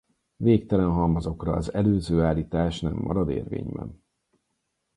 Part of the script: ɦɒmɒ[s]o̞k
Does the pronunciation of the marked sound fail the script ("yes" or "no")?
yes